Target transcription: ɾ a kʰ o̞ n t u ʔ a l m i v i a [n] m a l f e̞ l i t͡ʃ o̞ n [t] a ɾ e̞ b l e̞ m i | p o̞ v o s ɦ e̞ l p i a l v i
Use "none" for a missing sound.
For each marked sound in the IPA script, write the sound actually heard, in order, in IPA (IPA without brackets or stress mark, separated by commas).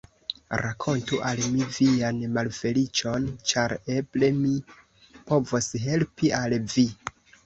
n, t͡ʃ